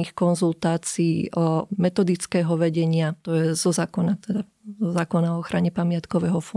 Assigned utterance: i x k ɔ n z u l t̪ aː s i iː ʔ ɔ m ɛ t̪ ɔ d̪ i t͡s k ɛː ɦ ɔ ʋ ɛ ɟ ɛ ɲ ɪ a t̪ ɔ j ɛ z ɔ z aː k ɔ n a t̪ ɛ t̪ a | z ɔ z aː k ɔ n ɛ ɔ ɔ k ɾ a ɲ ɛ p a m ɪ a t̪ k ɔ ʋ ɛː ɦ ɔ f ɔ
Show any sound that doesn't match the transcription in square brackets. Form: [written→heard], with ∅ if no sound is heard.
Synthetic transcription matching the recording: i x k ɔ n z u l t̪ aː [s→t͡s] i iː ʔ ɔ m ɛ t̪ ɔ d̪ i t͡s k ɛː ɦ ɔ ʋ ɛ ɟ ɛ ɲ ɪ a t̪ ɔ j ɛ z ɔ z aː k ɔ n a t̪ ɛ [t̪→d̪] a | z ɔ z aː k ɔ n [ɛ→a] ɔ ɔ [k→x] ɾ a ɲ ɛ p a m ɪ a t̪ k ɔ ʋ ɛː ɦ ɔ f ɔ